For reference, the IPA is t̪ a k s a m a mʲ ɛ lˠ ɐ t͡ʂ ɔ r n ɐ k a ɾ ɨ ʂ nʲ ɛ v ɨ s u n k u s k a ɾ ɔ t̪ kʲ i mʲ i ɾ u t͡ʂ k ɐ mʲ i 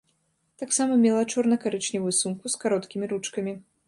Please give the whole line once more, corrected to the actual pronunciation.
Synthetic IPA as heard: t̪ a k s a m ɐ mʲ ɛ lˠ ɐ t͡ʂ ɔ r n ɐ k a ɾ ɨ t͡ʂ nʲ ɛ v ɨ s u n k u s k a ɾ ɔ t̪ kʲ i mʲ i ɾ u t͡ʂ k ɐ mʲ i